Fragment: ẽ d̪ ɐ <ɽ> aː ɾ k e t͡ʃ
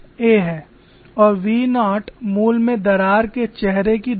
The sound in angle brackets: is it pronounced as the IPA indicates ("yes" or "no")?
no